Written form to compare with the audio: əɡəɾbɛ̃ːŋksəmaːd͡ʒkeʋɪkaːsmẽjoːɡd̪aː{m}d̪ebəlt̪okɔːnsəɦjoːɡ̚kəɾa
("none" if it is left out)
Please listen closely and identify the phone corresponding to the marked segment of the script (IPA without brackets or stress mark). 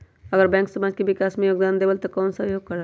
n